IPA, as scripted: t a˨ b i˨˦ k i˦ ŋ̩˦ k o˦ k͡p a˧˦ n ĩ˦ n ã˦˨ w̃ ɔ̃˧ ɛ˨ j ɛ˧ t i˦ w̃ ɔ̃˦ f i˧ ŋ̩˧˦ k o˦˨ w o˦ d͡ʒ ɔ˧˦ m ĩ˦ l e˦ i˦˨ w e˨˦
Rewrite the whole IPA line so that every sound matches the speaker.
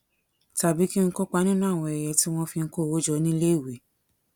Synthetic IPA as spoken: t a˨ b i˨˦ k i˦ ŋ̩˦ k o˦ k͡p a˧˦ n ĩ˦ n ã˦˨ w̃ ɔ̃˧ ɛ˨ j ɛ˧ t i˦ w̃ ɔ̃˦ f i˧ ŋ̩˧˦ k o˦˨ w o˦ d͡ʒ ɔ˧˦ n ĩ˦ l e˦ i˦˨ w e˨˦